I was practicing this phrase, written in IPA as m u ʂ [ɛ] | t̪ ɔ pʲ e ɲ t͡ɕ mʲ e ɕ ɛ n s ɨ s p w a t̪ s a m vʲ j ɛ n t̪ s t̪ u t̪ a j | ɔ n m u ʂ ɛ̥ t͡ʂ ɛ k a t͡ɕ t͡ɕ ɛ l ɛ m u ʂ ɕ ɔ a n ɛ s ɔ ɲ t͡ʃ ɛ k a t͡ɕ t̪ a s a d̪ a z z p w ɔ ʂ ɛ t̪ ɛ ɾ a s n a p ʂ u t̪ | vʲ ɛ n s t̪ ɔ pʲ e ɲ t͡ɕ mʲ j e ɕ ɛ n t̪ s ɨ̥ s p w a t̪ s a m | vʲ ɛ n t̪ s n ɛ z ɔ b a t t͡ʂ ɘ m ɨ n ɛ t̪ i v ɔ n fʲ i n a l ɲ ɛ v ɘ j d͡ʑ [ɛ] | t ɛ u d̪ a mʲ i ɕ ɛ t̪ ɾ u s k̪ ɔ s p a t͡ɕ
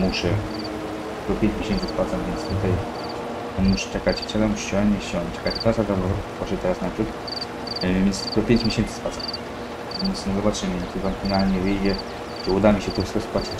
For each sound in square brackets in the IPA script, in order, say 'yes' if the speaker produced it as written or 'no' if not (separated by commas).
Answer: yes, yes